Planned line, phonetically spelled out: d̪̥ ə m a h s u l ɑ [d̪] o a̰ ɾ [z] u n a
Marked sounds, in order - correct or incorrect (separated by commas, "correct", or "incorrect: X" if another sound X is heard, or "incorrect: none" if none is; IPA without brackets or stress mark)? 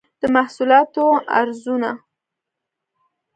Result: incorrect: t̪, correct